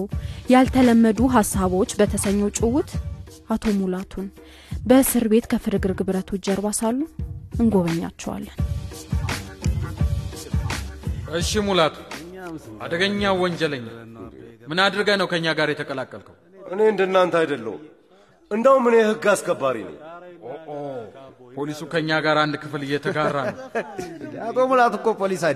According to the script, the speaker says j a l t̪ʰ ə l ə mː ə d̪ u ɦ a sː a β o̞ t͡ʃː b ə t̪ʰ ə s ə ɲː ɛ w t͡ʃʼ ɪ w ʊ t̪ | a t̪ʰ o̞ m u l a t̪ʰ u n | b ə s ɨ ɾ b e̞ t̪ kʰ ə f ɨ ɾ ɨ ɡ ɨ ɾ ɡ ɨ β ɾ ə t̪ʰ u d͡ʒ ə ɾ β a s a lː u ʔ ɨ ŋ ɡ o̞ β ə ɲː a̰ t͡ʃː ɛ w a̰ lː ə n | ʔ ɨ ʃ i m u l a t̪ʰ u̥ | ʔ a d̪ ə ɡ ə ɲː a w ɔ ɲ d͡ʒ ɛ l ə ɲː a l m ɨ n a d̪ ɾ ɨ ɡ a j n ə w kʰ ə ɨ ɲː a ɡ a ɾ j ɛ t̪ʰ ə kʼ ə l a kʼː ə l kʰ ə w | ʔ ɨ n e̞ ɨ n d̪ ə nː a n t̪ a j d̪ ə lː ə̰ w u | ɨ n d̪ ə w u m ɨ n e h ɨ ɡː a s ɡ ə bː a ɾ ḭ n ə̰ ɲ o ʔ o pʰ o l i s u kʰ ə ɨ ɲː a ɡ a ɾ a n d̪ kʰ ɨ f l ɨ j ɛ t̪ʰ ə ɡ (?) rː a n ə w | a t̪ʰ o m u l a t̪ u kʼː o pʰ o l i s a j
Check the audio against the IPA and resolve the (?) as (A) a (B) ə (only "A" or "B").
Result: A